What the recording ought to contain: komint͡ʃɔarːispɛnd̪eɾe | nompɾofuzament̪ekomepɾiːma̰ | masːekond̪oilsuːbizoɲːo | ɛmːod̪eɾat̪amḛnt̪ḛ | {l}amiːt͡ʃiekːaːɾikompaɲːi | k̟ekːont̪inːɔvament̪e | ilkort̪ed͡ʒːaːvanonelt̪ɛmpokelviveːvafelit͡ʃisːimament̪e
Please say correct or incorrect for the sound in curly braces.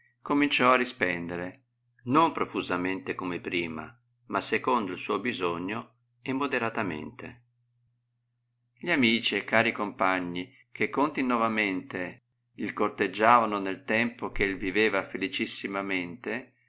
incorrect